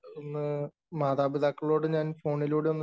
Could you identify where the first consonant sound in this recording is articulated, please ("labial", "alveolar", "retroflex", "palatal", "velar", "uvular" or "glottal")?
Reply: alveolar